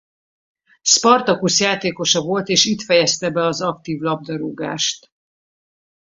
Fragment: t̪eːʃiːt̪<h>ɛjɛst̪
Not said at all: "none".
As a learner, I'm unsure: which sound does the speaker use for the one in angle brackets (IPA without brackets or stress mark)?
f